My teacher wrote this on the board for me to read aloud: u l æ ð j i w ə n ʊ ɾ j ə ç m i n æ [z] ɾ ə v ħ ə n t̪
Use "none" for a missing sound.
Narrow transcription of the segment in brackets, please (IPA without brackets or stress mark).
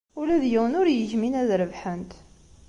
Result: ð